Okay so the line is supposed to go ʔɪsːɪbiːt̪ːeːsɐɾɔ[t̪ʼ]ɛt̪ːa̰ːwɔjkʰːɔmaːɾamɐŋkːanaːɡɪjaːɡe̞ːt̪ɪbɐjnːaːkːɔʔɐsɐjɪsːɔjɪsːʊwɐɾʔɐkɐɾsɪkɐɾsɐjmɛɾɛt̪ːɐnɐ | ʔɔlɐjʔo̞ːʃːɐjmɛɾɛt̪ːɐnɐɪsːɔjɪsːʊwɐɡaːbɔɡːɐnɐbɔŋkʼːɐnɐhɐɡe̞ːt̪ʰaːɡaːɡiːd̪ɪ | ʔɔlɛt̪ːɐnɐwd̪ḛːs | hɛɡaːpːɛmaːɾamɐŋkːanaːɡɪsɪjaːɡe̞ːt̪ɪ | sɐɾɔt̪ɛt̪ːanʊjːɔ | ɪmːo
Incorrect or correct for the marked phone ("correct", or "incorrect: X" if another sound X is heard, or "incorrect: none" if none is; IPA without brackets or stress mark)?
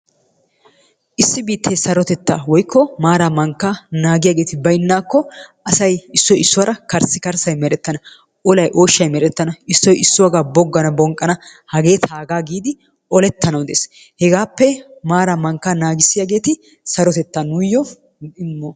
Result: incorrect: t̪